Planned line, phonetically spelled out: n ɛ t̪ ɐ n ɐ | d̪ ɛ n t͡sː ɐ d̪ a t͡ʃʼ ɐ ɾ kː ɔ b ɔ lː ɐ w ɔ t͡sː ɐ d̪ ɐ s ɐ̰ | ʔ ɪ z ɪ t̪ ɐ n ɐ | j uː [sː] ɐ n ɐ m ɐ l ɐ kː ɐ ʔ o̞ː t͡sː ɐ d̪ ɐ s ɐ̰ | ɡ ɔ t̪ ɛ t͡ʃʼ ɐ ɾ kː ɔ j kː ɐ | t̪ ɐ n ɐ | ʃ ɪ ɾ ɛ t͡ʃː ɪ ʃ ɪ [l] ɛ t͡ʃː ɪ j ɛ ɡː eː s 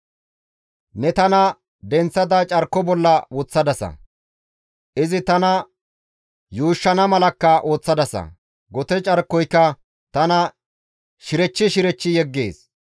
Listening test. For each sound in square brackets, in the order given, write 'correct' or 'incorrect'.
incorrect, incorrect

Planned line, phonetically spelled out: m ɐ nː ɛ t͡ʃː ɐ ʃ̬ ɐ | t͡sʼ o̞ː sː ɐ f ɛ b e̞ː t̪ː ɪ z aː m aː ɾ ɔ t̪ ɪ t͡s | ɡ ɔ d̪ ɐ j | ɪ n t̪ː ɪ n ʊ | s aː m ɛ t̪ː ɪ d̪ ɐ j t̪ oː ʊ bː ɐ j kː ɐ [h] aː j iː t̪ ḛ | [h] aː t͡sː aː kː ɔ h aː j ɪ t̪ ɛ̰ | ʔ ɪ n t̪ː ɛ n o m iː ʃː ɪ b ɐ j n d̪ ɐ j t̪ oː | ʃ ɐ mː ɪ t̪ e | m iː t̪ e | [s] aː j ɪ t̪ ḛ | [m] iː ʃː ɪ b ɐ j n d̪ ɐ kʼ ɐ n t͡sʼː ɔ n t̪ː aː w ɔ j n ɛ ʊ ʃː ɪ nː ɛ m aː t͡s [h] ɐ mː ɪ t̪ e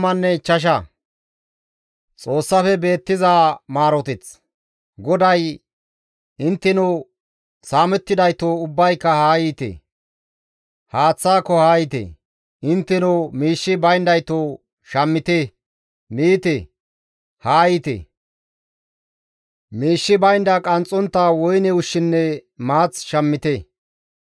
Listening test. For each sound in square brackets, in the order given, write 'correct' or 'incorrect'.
correct, correct, incorrect, correct, incorrect

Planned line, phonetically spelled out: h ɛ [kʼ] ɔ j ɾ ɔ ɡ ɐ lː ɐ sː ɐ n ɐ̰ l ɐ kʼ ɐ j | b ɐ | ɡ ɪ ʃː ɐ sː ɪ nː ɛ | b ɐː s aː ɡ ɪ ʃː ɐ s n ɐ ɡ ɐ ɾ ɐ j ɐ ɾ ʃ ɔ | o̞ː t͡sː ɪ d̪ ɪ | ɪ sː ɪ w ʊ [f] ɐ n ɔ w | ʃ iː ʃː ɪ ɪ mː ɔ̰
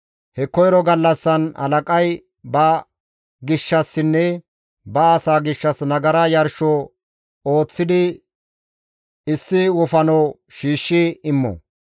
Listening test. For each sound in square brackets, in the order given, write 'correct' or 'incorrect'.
incorrect, correct

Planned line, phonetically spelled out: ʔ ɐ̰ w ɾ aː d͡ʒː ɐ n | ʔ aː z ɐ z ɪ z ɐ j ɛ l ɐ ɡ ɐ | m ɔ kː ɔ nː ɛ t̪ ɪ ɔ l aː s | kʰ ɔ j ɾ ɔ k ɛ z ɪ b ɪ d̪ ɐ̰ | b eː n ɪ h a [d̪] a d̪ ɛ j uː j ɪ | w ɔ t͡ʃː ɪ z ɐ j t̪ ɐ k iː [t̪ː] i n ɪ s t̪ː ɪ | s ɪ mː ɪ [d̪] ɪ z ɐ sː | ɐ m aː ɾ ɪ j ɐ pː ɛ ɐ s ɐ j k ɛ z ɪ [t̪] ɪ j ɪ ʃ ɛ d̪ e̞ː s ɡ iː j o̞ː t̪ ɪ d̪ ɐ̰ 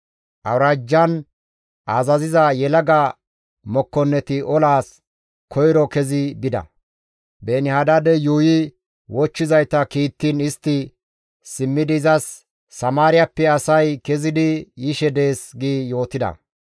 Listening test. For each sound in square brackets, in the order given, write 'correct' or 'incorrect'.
correct, correct, correct, incorrect

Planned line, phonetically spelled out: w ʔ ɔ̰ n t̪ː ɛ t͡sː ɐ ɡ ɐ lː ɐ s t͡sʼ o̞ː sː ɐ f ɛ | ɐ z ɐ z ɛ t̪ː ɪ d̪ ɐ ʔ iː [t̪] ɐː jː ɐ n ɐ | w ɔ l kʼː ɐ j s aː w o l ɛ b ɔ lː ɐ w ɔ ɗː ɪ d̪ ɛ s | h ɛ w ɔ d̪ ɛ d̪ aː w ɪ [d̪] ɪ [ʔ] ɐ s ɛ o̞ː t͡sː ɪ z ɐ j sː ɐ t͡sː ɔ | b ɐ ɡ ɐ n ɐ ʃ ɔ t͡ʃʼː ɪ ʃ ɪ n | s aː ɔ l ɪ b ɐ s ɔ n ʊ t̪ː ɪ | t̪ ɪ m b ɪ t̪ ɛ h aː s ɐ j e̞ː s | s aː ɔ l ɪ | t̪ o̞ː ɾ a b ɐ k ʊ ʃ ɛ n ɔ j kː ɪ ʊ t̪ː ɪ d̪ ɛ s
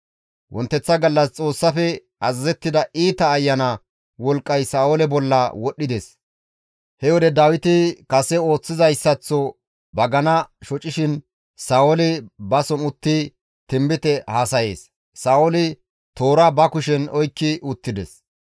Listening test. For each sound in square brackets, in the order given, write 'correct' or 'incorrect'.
correct, incorrect, incorrect

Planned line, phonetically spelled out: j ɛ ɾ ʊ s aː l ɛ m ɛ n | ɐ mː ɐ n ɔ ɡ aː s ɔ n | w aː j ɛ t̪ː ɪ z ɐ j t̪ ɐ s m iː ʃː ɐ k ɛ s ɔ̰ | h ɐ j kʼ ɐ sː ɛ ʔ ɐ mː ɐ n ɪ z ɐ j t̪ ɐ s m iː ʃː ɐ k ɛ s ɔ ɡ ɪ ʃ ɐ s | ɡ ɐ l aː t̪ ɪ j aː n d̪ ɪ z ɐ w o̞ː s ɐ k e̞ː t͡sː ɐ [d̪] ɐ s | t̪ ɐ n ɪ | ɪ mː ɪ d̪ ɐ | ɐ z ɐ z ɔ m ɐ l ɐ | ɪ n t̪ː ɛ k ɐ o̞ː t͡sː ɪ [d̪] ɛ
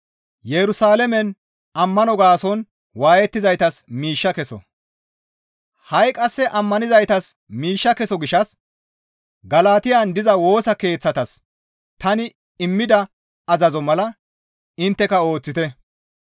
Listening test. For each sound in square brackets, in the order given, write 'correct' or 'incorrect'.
incorrect, incorrect

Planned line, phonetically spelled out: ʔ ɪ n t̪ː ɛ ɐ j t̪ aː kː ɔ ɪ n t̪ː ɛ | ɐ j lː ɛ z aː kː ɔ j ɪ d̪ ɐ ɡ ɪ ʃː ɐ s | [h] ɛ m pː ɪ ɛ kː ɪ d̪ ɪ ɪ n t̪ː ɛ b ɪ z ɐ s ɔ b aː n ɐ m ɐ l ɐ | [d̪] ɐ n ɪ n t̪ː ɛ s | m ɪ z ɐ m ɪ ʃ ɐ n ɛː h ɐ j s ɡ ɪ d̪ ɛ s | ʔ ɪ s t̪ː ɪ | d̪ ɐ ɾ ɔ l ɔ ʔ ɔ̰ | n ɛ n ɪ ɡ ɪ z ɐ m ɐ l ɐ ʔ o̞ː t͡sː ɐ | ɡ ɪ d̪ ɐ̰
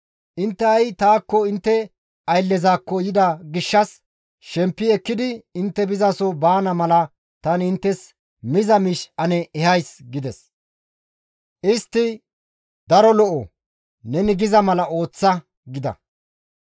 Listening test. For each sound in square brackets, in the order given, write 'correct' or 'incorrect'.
incorrect, incorrect

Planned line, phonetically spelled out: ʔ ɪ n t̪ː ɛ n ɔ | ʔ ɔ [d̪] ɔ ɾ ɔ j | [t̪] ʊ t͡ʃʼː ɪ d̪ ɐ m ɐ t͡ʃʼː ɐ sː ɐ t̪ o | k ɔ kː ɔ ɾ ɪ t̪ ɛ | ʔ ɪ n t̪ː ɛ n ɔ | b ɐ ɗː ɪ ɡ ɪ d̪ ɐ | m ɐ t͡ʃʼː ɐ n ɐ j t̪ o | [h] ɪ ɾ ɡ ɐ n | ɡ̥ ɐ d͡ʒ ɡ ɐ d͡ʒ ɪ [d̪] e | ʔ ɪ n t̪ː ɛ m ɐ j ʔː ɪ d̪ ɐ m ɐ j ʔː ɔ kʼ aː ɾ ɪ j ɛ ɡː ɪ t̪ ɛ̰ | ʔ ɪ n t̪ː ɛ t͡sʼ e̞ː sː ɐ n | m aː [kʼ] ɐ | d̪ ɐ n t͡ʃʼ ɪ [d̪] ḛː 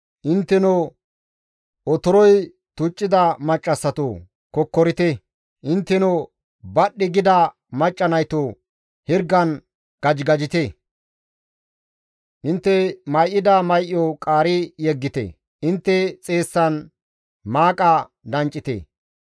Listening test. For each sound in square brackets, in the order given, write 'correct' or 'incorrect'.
incorrect, correct, correct, incorrect, correct, incorrect

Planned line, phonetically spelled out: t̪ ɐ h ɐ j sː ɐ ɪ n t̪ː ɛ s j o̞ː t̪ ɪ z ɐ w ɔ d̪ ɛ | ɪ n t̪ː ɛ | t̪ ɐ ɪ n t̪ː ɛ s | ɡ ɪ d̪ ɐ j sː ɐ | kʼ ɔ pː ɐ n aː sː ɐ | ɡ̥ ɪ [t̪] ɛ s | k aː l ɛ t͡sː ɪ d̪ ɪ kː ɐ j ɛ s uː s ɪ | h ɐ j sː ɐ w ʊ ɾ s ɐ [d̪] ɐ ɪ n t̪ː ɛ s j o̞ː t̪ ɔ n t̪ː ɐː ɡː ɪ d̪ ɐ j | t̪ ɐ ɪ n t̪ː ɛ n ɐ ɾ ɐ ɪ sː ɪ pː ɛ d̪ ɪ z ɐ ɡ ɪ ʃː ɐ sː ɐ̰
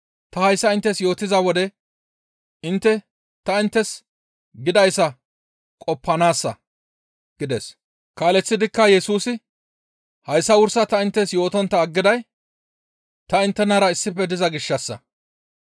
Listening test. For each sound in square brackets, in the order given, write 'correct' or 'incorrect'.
incorrect, incorrect

